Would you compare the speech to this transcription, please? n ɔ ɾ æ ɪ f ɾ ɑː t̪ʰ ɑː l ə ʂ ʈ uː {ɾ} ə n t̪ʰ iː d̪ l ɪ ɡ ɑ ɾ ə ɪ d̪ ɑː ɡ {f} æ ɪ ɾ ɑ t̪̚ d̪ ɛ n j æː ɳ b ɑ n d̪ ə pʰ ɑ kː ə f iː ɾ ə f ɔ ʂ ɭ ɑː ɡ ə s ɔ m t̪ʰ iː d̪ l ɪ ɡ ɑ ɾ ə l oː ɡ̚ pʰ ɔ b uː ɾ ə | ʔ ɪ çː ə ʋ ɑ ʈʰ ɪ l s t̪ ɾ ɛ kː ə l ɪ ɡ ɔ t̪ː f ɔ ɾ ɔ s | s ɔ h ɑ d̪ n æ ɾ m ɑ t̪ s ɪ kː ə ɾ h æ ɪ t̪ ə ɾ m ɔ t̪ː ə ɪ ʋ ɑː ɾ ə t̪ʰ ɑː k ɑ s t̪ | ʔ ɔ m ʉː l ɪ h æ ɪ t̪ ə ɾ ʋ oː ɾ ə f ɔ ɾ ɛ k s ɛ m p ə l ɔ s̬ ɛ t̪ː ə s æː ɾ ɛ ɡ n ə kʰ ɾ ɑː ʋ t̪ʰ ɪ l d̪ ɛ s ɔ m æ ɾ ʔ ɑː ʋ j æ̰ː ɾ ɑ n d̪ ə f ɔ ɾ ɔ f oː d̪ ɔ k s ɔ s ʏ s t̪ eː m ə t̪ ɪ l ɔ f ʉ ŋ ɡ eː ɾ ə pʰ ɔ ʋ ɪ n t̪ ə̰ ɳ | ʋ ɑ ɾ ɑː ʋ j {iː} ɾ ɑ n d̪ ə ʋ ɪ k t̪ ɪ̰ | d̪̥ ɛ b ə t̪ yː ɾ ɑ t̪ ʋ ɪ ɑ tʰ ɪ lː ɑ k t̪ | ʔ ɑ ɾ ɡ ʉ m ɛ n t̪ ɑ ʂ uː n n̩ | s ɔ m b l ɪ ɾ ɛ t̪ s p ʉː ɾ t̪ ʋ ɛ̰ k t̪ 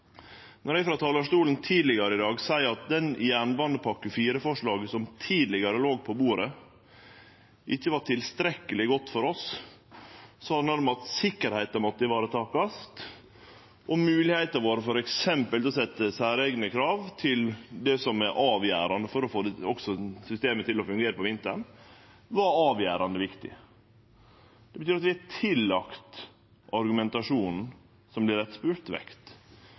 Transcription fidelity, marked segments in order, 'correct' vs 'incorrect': incorrect: l, incorrect: s, incorrect: æː

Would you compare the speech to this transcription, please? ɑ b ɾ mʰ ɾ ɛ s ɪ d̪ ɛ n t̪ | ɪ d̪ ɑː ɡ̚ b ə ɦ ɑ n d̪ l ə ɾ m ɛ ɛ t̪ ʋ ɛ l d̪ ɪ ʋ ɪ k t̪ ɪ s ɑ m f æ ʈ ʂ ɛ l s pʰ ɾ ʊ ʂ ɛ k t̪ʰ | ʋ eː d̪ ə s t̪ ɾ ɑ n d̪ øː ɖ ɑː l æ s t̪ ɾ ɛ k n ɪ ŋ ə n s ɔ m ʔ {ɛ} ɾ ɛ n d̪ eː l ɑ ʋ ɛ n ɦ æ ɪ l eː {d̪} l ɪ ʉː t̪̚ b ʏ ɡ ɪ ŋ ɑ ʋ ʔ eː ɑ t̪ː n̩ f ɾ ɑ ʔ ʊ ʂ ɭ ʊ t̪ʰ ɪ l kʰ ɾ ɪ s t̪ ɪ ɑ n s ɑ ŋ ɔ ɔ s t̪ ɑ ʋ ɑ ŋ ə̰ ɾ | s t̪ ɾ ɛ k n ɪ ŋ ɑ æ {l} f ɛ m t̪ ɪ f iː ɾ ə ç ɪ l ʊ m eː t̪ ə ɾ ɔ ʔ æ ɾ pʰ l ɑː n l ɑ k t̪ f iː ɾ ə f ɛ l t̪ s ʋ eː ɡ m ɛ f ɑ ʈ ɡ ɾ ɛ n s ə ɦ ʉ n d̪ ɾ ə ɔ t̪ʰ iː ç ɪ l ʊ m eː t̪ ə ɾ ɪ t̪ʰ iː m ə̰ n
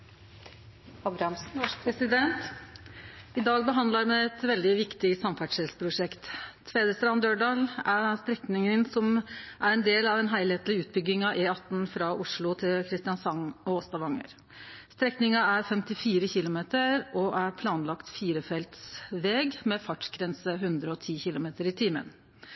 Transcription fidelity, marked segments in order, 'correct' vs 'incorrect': incorrect: æ, incorrect: t̪, incorrect: ɾ

